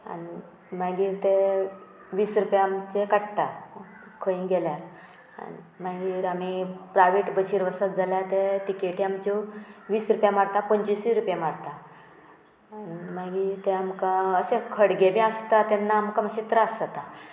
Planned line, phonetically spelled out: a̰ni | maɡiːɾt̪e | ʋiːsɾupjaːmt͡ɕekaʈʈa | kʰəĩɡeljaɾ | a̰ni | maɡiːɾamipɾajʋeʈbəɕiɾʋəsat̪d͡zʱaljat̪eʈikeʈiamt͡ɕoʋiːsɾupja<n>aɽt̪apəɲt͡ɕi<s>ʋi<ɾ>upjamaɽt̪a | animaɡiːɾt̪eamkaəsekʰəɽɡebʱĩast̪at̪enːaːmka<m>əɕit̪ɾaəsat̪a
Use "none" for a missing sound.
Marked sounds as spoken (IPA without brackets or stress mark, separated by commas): m, s, ɾ, m